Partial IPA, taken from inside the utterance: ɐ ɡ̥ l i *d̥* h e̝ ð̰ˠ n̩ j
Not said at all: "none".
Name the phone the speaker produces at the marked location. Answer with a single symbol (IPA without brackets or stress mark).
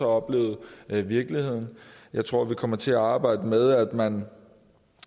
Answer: none